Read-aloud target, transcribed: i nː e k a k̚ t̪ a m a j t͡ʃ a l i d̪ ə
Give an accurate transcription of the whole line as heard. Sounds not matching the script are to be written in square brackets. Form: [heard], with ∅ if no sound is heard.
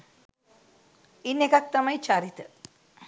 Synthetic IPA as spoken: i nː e k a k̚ t̪ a m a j t͡ʃ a [ɾ] i [t̪] ə